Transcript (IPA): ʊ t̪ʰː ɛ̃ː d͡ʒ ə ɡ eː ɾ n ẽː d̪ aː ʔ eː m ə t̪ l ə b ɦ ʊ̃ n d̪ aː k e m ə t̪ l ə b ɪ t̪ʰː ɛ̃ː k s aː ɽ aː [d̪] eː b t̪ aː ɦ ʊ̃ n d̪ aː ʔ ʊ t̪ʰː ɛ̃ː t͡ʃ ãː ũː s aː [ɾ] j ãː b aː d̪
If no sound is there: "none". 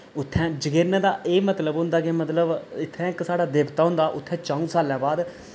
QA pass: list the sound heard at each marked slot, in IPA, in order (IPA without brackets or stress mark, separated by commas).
d̪, l